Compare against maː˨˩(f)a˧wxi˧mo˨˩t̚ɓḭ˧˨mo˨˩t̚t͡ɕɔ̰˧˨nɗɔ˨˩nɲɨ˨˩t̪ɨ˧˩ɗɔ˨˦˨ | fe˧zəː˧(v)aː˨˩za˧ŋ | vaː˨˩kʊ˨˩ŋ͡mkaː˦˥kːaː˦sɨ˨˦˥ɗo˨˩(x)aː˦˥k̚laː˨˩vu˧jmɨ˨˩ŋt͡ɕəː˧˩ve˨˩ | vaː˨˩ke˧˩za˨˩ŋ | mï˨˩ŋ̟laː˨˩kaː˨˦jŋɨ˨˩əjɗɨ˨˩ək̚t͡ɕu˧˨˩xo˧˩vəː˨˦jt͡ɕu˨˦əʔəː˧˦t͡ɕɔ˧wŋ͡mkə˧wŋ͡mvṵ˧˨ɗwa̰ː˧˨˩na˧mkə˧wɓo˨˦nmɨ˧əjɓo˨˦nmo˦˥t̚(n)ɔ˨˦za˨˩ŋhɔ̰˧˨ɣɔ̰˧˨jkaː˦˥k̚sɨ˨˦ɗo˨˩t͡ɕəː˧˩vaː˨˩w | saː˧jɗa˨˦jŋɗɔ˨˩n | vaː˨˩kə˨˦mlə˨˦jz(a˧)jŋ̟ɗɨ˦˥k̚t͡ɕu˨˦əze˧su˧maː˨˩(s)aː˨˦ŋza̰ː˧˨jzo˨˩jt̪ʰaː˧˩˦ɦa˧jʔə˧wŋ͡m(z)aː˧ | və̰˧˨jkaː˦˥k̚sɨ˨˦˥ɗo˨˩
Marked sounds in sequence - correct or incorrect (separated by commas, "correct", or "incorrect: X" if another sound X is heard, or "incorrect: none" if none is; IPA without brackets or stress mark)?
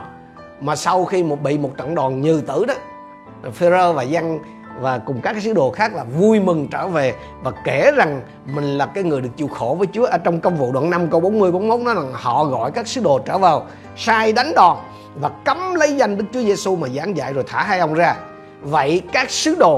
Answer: incorrect: s, correct, correct, correct, correct, incorrect: z, correct